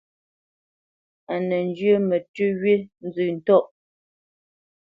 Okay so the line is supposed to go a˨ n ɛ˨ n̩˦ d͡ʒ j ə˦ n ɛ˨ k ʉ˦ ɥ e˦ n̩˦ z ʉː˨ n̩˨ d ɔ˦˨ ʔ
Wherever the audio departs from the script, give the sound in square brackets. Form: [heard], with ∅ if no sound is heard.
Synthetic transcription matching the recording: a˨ n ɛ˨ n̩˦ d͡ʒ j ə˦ [m] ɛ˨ [t] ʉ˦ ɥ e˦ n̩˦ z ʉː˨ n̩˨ [t] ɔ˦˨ ʔ

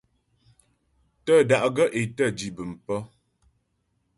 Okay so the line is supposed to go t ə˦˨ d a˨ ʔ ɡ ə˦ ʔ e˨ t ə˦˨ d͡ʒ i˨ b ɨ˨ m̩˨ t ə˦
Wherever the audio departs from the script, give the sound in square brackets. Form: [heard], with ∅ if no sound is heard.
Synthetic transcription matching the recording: t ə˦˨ d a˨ ʔ ɡ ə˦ ʔ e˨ t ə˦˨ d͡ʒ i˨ b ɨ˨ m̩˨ [p] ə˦

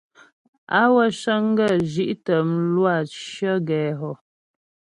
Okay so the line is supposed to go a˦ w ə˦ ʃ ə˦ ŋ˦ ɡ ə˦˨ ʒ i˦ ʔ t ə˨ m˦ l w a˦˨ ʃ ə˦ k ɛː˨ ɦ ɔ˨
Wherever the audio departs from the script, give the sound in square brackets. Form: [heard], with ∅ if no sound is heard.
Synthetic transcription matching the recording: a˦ w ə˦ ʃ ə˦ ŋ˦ ɡ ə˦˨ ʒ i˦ ʔ t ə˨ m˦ l w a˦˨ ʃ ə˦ [ɡ] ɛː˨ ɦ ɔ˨

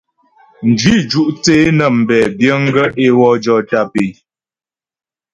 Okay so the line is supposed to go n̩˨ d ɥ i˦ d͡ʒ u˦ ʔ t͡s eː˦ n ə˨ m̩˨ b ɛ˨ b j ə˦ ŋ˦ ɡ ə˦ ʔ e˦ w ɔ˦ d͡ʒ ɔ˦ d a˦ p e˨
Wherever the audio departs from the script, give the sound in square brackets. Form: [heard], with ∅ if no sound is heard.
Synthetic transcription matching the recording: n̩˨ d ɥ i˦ d͡ʒ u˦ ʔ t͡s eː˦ n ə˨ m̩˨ b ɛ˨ b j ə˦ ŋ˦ ɡ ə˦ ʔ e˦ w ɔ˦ d͡ʒ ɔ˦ [t] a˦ p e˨

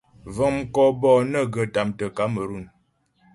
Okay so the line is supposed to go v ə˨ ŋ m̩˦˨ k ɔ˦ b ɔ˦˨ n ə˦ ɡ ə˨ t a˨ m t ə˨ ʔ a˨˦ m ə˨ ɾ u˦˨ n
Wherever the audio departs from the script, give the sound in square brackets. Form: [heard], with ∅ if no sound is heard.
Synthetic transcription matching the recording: v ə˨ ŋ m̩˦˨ k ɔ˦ b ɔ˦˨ n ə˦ ɡ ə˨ t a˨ m t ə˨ [k] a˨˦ m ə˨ ɾ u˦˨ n

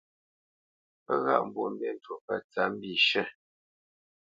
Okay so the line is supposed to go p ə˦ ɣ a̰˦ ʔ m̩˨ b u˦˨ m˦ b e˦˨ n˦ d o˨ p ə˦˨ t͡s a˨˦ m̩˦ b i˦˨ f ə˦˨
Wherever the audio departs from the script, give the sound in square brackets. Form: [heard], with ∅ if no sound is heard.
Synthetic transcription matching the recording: p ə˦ ɣ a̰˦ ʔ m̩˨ b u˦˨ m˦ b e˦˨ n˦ [t] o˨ p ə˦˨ t͡s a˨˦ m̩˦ b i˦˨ [ʃ] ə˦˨

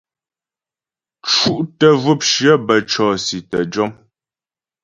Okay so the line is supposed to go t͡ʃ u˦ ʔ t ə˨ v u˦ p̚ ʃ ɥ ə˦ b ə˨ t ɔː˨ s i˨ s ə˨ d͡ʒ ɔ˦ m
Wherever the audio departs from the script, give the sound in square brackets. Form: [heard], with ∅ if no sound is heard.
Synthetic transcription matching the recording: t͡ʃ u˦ ʔ t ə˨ v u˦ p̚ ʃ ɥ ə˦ b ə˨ [t͡ʃ] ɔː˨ s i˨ [t] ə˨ d͡ʒ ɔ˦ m

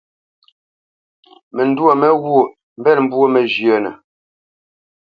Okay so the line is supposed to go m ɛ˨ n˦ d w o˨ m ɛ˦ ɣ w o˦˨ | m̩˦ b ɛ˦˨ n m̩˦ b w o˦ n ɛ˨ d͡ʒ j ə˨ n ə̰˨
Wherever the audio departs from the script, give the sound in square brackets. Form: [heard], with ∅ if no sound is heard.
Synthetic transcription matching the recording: m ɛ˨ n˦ d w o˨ m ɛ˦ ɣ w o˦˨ | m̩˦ b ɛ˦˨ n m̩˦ b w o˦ [m] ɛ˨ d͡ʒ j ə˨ n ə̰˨

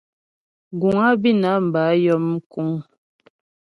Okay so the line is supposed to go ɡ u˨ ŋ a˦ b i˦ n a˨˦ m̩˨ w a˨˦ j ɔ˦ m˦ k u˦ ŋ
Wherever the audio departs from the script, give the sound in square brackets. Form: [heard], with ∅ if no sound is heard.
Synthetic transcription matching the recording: ɡ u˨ ŋ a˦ b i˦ n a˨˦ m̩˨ [b] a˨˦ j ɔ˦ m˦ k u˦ ŋ

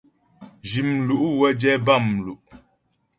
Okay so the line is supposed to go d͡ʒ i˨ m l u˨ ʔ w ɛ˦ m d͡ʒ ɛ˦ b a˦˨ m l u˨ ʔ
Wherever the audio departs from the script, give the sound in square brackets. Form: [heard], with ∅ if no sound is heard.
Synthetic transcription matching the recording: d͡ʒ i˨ m l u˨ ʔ w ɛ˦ [∅] d͡ʒ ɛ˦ b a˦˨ m l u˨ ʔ

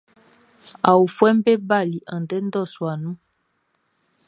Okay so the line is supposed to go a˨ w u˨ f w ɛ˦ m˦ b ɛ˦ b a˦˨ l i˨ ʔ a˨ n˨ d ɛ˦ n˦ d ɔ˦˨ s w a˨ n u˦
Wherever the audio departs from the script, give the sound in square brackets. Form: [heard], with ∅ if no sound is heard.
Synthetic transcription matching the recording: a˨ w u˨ f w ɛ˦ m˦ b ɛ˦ b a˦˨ l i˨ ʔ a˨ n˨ d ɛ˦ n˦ d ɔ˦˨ s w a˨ n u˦

